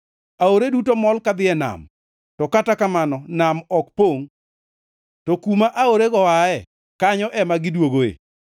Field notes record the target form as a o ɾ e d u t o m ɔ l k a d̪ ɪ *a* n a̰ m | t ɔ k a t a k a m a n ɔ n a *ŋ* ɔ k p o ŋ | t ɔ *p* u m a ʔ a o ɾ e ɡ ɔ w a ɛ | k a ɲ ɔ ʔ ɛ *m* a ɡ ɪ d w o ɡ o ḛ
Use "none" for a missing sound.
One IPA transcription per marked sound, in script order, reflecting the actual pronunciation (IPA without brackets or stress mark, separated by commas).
ɛ, m, k, m